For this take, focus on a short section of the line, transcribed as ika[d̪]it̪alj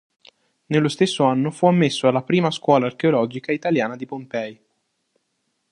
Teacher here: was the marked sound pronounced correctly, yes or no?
no